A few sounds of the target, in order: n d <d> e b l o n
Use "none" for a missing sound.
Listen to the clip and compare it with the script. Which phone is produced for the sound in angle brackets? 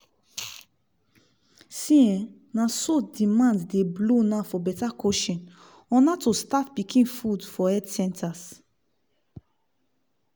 d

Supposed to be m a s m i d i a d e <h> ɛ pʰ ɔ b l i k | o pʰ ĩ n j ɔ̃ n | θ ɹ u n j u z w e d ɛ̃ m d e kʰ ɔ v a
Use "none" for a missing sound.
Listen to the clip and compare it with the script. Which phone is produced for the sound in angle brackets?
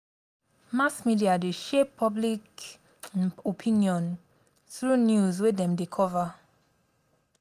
ʃ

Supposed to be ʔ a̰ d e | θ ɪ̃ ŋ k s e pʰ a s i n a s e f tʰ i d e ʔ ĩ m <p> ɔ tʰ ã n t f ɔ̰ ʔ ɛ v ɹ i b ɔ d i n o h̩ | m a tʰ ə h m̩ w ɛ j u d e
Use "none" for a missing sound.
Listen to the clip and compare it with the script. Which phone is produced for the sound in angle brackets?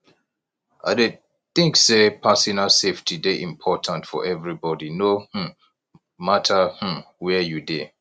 pʰ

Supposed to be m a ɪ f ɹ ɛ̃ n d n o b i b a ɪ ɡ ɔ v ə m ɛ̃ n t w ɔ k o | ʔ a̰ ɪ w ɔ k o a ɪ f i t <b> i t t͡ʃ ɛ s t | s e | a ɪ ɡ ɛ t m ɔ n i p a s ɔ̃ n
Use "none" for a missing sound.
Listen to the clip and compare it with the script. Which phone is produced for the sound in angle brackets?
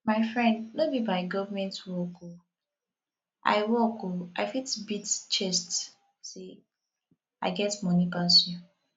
b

